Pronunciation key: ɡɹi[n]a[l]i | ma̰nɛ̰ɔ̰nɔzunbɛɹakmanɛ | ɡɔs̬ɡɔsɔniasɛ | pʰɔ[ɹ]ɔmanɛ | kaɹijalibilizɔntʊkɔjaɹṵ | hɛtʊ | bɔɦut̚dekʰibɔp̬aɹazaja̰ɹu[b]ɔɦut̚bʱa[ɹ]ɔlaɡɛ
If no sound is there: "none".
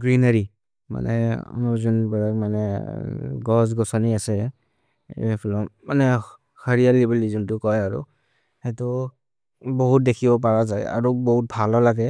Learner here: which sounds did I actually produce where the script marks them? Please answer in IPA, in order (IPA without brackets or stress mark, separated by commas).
n, ɹ, l, b, l